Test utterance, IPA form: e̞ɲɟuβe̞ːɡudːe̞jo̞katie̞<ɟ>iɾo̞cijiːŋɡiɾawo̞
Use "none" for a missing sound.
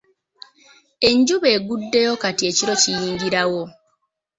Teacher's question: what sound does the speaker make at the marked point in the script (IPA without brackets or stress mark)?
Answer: c